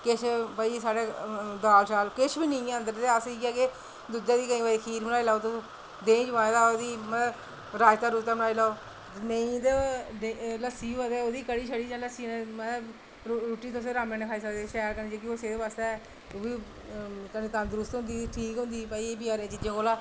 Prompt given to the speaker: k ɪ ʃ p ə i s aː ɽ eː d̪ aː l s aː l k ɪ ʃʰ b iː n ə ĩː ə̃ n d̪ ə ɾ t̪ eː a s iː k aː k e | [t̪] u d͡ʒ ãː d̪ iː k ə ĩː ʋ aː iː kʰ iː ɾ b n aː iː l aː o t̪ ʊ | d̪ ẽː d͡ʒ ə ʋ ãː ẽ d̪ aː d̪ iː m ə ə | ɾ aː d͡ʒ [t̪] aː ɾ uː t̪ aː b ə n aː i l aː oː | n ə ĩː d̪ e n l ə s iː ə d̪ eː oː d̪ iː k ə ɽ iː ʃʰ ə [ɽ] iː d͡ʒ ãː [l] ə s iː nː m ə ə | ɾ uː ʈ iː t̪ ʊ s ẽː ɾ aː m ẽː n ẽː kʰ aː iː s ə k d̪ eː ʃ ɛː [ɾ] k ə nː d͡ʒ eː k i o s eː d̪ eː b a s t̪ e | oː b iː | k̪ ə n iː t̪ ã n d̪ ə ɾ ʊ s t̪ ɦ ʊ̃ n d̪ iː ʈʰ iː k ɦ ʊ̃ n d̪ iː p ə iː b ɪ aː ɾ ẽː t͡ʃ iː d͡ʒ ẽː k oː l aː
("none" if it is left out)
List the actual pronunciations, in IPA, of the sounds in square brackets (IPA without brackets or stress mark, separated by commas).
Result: d̪, t̪, ɽ, l, ɾ